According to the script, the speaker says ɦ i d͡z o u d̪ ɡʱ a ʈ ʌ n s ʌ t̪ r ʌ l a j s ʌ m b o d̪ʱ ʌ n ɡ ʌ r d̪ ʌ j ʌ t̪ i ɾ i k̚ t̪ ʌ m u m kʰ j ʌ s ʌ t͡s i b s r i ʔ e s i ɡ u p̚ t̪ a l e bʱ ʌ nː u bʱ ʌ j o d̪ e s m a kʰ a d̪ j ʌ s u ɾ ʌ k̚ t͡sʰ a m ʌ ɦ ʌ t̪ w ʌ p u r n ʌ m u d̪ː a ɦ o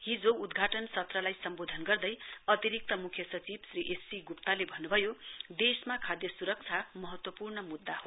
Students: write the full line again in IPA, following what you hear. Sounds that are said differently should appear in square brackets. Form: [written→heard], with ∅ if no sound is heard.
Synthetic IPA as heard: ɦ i d͡z o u d̪ ɡʱ a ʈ ʌ n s ʌ t̪ r ʌ l a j s ʌ m b o d̪ʱ ʌ n ɡ ʌ r d̪ ʌ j ʌ t̪ i ɾ i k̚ t̪ ʌ m u [m→∅] kʰ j ʌ s ʌ t͡s i b s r i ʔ e s i ɡ u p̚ t̪ a l e bʱ ʌ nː u bʱ ʌ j o d̪ e s m a kʰ a d̪ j ʌ s u ɾ ʌ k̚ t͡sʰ a m ʌ ɦ ʌ t̪ w ʌ p u r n ʌ m u d̪ː a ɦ o

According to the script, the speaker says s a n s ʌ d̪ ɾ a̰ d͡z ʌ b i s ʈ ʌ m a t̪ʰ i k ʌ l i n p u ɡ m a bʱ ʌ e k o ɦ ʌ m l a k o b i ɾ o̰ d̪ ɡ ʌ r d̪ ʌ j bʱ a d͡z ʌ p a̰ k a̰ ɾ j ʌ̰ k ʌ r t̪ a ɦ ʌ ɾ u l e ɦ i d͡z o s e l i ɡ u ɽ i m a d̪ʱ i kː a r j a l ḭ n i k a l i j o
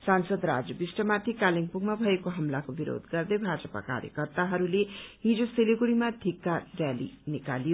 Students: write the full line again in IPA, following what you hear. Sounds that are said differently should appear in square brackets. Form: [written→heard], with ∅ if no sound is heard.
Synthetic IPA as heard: s a n s ʌ d̪ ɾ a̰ d͡z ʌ b i s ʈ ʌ m a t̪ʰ i k [ʌ→a] l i [n→ŋ] p u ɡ m a bʱ ʌ e k o ɦ ʌ m l a k o b i ɾ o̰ d̪ ɡ ʌ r d̪ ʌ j bʱ a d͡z ʌ p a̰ k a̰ ɾ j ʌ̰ k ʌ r t̪ a ɦ ʌ ɾ u l e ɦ i d͡z o s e l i ɡ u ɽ i m a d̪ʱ i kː a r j a l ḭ n i k a l i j o

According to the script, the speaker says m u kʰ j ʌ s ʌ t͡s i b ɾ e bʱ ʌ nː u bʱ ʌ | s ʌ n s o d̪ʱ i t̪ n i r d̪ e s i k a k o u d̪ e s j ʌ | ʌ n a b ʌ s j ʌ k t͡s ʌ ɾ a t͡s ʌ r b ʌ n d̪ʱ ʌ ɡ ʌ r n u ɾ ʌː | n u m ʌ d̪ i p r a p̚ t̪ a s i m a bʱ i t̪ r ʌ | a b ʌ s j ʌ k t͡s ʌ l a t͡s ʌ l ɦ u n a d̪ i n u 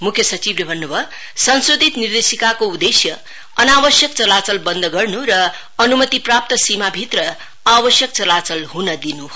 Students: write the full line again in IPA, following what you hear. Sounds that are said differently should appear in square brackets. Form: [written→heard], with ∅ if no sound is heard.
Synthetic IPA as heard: m u kʰ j ʌ s ʌ t͡s i b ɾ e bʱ ʌ nː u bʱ ʌ | s ʌ n s o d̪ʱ i t̪ n i r d̪ e s i k a k o u d̪ e s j ʌ | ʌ n a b ʌ s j ʌ k t͡s ʌ [ɾ→l] a t͡s ʌ [r→l] b ʌ n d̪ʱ ʌ ɡ ʌ r n u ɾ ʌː | n u m ʌ [d̪→t̪] i p r a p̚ t̪ [a→ʌ] s i m a bʱ i t̪ r ʌ | a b ʌ s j ʌ k t͡s ʌ l a t͡s ʌ l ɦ u n [a→ʌ] d̪ i n u

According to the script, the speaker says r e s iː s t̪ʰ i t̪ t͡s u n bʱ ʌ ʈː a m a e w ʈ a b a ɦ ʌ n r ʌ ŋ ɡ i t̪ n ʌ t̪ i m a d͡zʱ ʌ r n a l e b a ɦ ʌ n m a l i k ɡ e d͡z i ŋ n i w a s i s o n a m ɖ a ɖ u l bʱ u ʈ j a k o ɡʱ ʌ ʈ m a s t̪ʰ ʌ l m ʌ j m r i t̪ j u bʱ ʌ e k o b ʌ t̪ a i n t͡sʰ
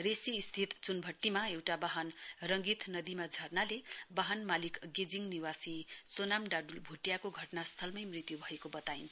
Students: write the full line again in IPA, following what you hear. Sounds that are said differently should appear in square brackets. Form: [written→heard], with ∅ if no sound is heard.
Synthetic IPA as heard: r e s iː s t̪ʰ i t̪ t͡s u n bʱ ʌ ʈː [a→i] m a e w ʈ a b a ɦ ʌ n r ʌ ŋ ɡ i t̪ n ʌ [t̪→d̪] i m a d͡zʱ ʌ r n a l e b a ɦ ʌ n m a l i k ɡ e d͡z i ŋ n i w a s i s o n a m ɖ a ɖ u l bʱ u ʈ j a k o ɡʱ ʌ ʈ [m→n] a s t̪ʰ ʌ l m ʌ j m r i t̪ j u bʱ ʌ e k o b ʌ t̪ a i n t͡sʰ

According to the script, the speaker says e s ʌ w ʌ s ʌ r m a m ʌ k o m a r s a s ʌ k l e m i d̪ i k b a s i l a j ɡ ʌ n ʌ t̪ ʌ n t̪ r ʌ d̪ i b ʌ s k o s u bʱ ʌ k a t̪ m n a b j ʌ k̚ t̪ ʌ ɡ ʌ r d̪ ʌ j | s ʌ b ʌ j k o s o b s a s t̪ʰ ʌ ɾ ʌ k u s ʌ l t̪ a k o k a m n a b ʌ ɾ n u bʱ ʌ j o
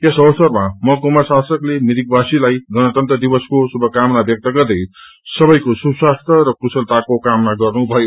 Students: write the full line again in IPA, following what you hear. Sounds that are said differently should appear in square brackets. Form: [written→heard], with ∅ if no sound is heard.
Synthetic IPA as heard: e s ʌ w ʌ s ʌ r m a m ʌ k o m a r s a s ʌ k l e m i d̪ i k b a s i l a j ɡ ʌ n ʌ t̪ ʌ n t̪ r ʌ d̪ i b ʌ s k o s u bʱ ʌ k a [t̪→∅] m n a b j ʌ k̚ t̪ ʌ ɡ ʌ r d̪ ʌ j | s ʌ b ʌ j k o s [o→u] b s a s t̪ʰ ʌ ɾ ʌ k u s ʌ l t̪ a k o k a m n a [b→ɡ] ʌ [ɾ→r] n u bʱ ʌ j o

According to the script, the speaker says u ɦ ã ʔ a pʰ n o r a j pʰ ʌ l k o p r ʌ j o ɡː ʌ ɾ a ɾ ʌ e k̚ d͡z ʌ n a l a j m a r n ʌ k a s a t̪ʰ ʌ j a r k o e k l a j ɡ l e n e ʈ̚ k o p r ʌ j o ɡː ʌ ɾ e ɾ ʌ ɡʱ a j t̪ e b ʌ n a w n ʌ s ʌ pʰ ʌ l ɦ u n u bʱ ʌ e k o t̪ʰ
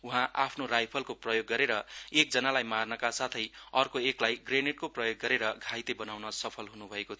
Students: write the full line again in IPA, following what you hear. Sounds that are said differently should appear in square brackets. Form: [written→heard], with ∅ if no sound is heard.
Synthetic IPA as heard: u ɦ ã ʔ a pʰ n o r a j pʰ ʌ l k o p r ʌ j o ɡː ʌ ɾ [a→e] ɾ ʌ e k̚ d͡z ʌ n a l a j m a r n ʌ k a s a t̪ʰ ʌ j [a→ʌ] r k o e k l a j ɡ [l→r] e n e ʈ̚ k o p r ʌ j o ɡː ʌ ɾ e ɾ ʌ ɡʱ a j t̪ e b ʌ n a w n ʌ s ʌ pʰ ʌ l ɦ u n u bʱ ʌ e k o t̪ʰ

